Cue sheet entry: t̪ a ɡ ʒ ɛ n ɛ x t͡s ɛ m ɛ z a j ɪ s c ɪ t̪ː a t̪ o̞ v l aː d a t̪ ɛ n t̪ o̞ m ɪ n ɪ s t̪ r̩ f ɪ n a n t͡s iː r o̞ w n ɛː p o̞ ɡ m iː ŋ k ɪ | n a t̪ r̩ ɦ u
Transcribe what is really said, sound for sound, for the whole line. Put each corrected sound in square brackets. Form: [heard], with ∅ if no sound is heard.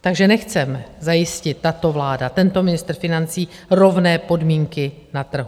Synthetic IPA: t̪ a ɡ ʒ ɛ n ɛ x t͡s ɛ m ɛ z a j ɪ s c ɪ t̪ː a t̪ o̞ v l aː d a t̪ ɛ n t̪ o̞ m ɪ n ɪ s t̪ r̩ f ɪ n a n t͡s iː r o̞ [v] n ɛː p o̞ [d] m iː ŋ k ɪ | n a t̪ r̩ ɦ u